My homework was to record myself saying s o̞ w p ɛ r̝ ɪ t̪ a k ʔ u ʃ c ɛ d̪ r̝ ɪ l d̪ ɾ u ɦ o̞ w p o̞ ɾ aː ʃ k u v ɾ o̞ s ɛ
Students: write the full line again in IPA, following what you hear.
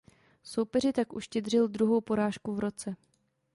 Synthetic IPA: s o̞ w p ɛ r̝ ɪ t̪ a k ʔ u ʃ c ɛ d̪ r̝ ɪ l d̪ ɾ u ɦ o̞ w p o̞ ɾ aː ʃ k u v ɾ o̞ t͡s ɛ